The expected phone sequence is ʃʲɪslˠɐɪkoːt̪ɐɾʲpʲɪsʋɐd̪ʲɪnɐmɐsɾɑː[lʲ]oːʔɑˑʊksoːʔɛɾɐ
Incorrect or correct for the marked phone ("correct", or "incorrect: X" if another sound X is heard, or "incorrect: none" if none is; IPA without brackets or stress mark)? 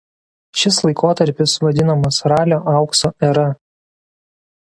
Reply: correct